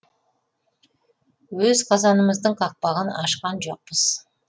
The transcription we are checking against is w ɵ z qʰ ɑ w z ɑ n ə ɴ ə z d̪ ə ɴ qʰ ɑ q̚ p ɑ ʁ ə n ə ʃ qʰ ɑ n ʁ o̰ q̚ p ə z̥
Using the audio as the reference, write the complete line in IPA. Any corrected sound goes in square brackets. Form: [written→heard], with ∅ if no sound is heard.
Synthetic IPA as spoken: w ɵ z qʰ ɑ [w→∅] z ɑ n ə [ɴ→m] ə z d̪ ə ɴ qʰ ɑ q̚ p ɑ ʁ ə n [ə→ɑ] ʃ [qʰ→q] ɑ n [ʁ→ʒ] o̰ q̚ p ə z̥

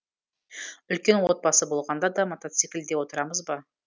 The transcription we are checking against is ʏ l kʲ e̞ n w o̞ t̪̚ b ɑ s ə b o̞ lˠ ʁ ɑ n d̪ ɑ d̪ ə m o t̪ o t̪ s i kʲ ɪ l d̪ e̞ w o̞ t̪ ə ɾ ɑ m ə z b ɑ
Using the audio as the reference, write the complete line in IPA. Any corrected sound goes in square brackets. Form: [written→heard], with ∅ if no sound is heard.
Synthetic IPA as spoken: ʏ l kʲ e̞ n w o̞ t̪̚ b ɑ s ə b o̞ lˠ ʁ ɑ n d̪ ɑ d̪ [ə→ɑ] m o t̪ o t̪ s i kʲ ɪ l d̪ e̞ w o̞ t̪ ə ɾ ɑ m ə z b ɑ

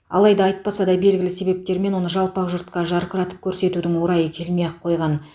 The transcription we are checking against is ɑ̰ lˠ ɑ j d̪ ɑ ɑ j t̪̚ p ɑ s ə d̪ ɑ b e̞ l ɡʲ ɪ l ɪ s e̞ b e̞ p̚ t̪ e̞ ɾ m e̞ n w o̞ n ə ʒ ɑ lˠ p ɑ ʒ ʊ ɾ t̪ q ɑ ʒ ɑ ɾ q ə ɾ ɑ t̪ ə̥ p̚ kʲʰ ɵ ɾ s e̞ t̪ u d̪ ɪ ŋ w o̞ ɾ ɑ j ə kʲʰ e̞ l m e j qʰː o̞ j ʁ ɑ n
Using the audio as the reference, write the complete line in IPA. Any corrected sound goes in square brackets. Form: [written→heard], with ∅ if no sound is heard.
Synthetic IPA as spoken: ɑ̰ lˠ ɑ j d̪ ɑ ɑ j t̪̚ p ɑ s [ə→ɑ] d̪ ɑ b e̞ l ɡʲ ɪ l ɪ s e̞ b e̞ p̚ t̪ e̞ ɾ m e̞ n w o̞ n ə ʒ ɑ lˠ p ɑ ʒ ʊ ɾ t̪ q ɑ ʒ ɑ ɾ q ə ɾ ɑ t̪ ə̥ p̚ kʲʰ ɵ ɾ s e̞ t̪ u d̪ ɪ ŋ w o̞ ɾ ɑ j ə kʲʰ e̞ l m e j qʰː o̞ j ʁ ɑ n

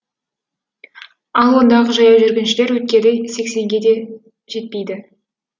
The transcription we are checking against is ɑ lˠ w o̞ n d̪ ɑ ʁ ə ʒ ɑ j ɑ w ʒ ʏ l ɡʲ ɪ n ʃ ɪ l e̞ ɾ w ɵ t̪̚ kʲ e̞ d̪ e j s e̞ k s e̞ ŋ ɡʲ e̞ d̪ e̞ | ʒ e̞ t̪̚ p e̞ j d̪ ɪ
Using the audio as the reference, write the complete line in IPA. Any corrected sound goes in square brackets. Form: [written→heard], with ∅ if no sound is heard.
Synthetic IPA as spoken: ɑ lˠ w o̞ n d̪ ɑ ʁ ə ʒ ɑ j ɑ w ʒ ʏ [l→ɾ] ɡʲ ɪ n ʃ ɪ l e̞ ɾ w ɵ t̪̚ kʲ e̞ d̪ e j s e̞ k s e̞ ŋ ɡʲ e̞ d̪ e̞ | ʒ e̞ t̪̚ p e̞ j d̪ ɪ

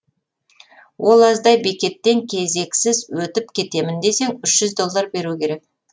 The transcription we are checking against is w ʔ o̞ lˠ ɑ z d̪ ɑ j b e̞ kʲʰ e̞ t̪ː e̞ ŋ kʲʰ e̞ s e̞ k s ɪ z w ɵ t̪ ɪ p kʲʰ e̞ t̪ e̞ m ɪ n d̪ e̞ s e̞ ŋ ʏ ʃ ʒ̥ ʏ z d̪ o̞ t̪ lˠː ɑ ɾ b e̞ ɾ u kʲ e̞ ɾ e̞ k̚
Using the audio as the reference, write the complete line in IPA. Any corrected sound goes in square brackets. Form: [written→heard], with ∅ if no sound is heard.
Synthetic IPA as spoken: w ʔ o̞ lˠ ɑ z d̪ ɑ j b e̞ [kʲʰ→kʲ] e̞ t̪ː e̞ ŋ kʲʰ e̞ [s→z] e̞ k s ɪ z w ɵ t̪ ɪ p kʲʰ e̞ t̪ e̞ m ɪ n d̪ e̞ s e̞ ŋ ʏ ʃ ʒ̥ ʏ z d̪ o̞ [t̪→∅] lˠː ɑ ɾ b e̞ ɾ u kʲ e̞ ɾ e̞ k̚

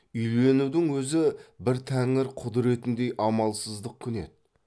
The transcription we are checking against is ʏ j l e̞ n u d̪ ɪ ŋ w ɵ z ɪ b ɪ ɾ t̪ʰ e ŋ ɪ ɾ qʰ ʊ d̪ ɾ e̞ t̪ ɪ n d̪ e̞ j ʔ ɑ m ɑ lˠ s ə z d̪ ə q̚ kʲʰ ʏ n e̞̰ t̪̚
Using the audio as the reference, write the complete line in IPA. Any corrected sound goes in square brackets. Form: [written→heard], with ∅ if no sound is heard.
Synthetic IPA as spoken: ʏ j l e̞ n u d̪ ɪ ŋ w ɵ z ɪ b ɪ ɾ t̪ʰ [e→æ] ŋ ɪ ɾ qʰ ʊ d̪ ɾ e̞ t̪ ɪ n d̪ e̞ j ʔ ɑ m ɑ lˠ s ə z d̪ ə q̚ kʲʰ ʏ n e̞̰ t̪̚

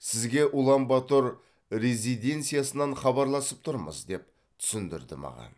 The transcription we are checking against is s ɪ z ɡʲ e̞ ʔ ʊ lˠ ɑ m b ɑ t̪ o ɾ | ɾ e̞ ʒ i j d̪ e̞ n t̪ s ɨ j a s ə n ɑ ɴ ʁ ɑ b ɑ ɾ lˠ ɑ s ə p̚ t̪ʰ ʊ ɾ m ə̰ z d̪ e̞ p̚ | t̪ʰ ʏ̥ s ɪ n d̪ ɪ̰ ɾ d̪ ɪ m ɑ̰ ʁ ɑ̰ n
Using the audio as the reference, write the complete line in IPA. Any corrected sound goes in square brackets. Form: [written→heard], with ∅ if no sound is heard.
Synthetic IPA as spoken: s ɪ z ɡʲ e̞ ʔ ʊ lˠ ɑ m b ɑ t̪ o ɾ | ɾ e̞ [ʒ→z] i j d̪ e̞ n t̪ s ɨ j a s ə n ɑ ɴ [ʁ→χ] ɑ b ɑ ɾ lˠ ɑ s ə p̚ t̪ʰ ʊ ɾ m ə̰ z d̪ e̞ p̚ | t̪ʰ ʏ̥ s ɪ n d̪ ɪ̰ ɾ d̪ ɪ m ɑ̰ ʁ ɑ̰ n

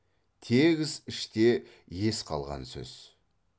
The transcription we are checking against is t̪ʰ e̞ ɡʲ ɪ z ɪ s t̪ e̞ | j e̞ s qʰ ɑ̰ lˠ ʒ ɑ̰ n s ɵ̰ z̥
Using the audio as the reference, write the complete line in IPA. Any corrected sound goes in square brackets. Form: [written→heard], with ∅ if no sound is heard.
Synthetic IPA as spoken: t̪ʰ e̞ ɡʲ ɪ z ɪ [s→ʃ] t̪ e̞ | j e̞ s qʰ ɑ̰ lˠ [ʒ→ʁ] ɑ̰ n s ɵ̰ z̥

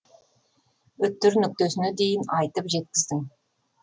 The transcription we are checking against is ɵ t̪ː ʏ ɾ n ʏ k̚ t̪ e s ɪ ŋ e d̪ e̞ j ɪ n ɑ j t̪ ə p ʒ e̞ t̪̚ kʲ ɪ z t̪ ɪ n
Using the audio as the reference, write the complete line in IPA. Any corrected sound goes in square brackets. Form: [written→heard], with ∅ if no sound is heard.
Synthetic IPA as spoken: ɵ t̪ː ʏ ɾ n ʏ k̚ t̪ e s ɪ [ŋ→n] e d̪ e̞ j ɪ n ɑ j t̪ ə p ʒ e̞ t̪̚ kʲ ɪ z [t̪→d̪] ɪ [n→ŋ]

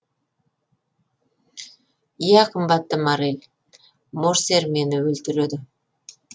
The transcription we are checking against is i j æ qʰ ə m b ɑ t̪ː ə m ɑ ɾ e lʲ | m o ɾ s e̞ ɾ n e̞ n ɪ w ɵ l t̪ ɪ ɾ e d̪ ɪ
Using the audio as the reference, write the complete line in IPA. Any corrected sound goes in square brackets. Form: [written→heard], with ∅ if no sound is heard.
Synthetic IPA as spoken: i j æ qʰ ə m b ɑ t̪ː ə m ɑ ɾ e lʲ | m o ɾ s e̞ ɾ [n→m] e̞ n ɪ w ɵ l t̪ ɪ ɾ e d̪ ɪ

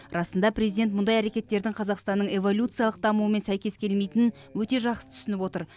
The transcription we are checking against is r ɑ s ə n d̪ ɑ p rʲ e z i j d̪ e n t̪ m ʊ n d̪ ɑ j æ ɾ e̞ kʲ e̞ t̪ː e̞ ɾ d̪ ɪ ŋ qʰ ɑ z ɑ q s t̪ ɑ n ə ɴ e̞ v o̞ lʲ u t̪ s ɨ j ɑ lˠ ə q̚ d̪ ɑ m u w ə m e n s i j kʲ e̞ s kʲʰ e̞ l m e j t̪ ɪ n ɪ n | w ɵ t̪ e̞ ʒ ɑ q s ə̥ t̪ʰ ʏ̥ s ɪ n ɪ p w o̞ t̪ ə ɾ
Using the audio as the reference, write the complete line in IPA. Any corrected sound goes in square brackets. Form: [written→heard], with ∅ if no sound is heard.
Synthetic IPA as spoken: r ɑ s ə n d̪ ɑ p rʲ e z i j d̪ e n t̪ m ʊ n d̪ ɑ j æ ɾ e̞ kʲ e̞ t̪ː e̞ ɾ d̪ ɪ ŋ qʰ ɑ z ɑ q s t̪ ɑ [n→nː] ə ɴ e̞ v o̞ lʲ u t̪ s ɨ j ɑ lˠ ə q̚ d̪ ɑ m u w ə m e n s [i→æ] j kʲ e̞ s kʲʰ e̞ l m e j t̪ ɪ n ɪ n | w ɵ t̪ e̞ ʒ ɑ q s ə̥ t̪ʰ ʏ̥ s ɪ n ɪ p w o̞ t̪ ə ɾ

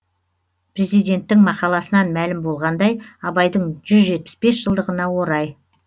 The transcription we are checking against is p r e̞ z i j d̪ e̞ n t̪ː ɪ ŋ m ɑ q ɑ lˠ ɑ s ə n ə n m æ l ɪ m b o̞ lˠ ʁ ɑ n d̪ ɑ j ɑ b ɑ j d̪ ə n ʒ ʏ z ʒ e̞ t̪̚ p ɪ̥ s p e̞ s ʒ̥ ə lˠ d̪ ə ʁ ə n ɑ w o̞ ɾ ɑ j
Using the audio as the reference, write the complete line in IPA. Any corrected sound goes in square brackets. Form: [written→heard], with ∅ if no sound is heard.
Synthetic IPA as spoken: p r e̞ z i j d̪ e̞ n t̪ː ɪ ŋ m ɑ q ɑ lˠ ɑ s ə n [ə→ɑ] n m æ l ɪ m b o̞ lˠ ʁ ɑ n d̪ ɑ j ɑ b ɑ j d̪ ə [n→ɴ] ʒ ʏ z ʒ e̞ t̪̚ p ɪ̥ s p e̞ s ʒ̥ ə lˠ d̪ ə ʁ ə n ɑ w o̞ ɾ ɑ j

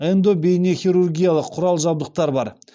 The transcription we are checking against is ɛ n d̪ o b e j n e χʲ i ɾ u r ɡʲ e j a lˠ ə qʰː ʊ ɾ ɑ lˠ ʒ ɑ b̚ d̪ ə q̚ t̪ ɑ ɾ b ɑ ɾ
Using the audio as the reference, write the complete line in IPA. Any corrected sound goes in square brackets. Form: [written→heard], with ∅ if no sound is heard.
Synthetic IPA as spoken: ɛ n d̪ o b e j n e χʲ i ɾ u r ɡʲ [e→i] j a lˠ ə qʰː ʊ ɾ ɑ lˠ ʒ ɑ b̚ d̪ ə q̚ t̪ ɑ ɾ b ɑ ɾ

